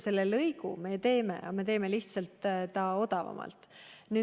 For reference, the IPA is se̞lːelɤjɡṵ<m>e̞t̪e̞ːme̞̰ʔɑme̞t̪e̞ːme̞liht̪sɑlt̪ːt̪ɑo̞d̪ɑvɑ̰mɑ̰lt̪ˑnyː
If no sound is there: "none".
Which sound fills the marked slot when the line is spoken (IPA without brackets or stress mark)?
m